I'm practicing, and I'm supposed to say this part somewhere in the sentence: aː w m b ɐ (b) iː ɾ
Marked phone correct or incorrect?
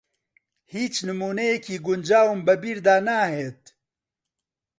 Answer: correct